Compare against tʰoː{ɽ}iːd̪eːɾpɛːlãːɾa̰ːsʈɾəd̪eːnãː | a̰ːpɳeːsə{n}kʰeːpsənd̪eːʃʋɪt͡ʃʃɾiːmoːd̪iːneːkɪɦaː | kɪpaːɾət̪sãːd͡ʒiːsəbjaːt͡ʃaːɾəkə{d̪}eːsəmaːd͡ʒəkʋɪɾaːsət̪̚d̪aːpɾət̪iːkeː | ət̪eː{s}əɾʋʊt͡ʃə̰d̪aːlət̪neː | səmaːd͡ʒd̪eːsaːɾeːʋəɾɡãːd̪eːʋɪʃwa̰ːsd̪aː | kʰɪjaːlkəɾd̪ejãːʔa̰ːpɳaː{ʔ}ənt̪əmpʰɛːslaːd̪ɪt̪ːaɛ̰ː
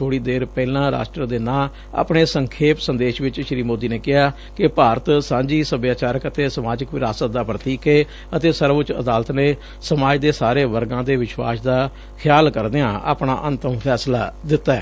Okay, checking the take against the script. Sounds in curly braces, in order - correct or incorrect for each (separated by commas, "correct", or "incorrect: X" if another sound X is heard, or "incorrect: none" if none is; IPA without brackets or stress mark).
correct, incorrect: ŋ, incorrect: t̪, correct, correct